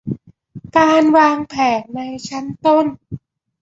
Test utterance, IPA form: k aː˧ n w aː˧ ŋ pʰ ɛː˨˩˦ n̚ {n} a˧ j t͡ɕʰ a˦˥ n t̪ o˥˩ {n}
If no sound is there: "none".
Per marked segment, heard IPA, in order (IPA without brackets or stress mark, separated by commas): n, n